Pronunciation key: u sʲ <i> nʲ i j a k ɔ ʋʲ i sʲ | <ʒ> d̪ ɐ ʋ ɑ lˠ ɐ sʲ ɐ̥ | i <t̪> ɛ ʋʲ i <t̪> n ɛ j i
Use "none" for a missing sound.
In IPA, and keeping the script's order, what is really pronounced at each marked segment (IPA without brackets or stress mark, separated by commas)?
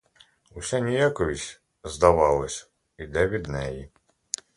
a, z, d̪, d̪